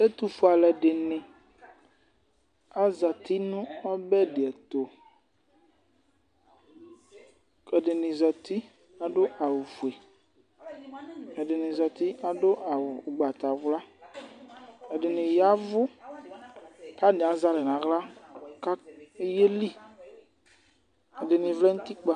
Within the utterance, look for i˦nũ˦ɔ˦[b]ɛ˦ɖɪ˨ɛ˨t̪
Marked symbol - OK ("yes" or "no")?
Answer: yes